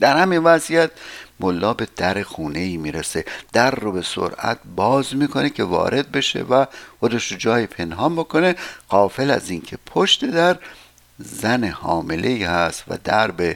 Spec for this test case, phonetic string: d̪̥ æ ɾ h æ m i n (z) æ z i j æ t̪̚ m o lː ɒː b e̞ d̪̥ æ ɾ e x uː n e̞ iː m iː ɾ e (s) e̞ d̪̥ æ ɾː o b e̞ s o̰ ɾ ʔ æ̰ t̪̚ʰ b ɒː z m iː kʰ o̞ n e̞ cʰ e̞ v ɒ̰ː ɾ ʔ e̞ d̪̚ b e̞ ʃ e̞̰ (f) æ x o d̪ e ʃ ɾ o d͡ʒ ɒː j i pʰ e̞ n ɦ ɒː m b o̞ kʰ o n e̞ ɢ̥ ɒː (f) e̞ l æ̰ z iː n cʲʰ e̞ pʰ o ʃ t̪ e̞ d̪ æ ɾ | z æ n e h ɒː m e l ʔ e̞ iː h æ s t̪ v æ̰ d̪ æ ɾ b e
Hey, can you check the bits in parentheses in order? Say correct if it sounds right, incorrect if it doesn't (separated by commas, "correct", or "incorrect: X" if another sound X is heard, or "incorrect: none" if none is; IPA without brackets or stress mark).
incorrect: v, correct, incorrect: v, correct